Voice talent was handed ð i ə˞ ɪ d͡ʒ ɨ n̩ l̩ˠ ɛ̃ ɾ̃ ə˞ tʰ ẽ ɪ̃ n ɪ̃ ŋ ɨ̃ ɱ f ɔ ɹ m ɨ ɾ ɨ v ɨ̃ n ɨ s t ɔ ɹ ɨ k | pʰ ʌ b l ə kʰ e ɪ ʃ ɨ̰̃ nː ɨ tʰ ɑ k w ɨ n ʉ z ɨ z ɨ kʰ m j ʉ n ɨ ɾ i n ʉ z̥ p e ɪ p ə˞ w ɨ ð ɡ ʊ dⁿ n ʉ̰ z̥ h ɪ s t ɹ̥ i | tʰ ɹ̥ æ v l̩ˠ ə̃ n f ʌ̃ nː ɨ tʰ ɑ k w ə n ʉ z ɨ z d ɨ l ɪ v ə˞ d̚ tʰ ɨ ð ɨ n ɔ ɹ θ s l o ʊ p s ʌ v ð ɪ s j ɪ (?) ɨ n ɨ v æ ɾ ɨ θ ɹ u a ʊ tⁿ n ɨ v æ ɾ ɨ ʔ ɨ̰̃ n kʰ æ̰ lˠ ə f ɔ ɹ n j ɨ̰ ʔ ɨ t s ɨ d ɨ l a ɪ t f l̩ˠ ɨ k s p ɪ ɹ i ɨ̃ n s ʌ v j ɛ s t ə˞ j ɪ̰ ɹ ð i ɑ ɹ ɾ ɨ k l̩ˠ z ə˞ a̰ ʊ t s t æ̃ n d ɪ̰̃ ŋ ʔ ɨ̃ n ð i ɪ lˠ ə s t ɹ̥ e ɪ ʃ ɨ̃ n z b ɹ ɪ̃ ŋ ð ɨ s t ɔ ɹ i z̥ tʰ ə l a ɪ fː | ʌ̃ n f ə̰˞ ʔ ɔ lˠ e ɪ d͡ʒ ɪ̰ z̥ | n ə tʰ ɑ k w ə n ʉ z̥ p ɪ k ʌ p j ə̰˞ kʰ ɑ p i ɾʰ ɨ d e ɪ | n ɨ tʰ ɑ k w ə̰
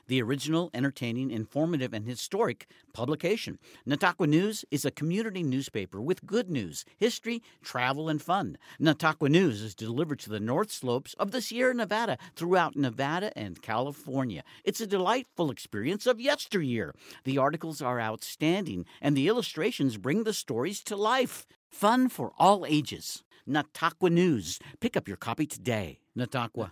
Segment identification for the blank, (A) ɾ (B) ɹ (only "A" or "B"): B